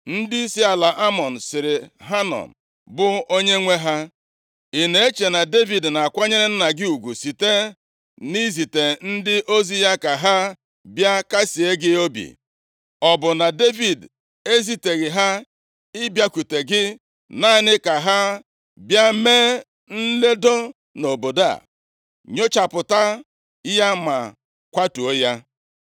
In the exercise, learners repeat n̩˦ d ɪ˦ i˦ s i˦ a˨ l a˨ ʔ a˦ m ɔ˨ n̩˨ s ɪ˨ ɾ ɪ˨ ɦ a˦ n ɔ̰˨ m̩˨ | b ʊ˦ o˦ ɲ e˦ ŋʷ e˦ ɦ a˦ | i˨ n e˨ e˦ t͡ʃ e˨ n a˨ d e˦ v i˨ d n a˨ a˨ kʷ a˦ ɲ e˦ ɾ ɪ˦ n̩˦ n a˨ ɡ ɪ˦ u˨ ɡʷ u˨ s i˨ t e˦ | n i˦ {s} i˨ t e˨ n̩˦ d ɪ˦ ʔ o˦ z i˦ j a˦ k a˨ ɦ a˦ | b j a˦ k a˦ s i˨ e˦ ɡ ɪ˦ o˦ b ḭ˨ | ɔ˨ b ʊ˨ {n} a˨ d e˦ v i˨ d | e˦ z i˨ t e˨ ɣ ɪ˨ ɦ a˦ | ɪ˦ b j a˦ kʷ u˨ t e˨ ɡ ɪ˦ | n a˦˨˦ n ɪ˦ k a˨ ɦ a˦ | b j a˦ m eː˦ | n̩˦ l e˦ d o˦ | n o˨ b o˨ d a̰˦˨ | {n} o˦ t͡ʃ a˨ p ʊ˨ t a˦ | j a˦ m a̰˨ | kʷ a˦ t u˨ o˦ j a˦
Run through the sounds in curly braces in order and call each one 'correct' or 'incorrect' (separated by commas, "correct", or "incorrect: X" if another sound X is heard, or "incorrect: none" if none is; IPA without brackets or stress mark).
incorrect: z, correct, incorrect: ɲ